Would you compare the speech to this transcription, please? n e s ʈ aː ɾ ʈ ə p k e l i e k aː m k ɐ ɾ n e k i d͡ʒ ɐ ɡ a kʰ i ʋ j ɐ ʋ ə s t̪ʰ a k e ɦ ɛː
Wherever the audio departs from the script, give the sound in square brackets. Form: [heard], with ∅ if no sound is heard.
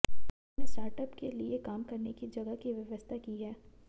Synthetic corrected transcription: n e s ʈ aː ɾ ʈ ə p k e l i e k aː m k ɐ ɾ n e k i d͡ʒ ɐ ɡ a [k] i ʋ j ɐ ʋ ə s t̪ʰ a k [i] ɦ ɛː